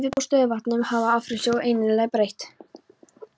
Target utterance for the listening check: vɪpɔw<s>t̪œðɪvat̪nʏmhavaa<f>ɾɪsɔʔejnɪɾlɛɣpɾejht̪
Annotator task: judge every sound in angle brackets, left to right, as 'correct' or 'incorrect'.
correct, correct

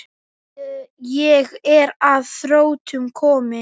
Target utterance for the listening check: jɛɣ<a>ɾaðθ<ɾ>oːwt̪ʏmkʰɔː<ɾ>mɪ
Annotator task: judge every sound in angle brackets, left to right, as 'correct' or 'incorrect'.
incorrect: ɛ, correct, incorrect: none

